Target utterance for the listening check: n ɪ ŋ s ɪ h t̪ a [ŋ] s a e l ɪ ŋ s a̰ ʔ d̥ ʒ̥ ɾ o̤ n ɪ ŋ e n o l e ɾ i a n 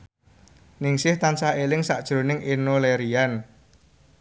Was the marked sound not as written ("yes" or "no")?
yes